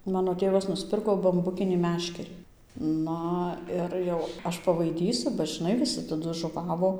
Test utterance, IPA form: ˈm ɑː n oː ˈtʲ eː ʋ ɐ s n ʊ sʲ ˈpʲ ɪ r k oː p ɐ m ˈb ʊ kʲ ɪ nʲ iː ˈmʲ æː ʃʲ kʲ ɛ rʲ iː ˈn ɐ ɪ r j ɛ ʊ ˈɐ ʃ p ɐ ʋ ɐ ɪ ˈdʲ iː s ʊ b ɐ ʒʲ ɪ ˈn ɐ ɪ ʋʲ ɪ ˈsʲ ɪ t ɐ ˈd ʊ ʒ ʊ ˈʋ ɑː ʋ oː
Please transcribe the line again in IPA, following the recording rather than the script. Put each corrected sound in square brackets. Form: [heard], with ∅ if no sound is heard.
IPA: ˈm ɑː n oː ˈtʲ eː ʋ ɐ s n ʊ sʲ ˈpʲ ɪ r k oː [b] ɐ m ˈb ʊ kʲ ɪ nʲ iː ˈmʲ æː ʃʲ kʲ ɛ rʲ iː ˈn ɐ ɪ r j ɛ ʊ ˈɐ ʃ p ɐ ʋ ɐ ɪ ˈdʲ iː s ʊ b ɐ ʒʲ ɪ ˈn ɐ ɪ ʋʲ ɪ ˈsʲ ɪ t ɐ ˈd ʊ ʒ ʊ ˈʋ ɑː ʋ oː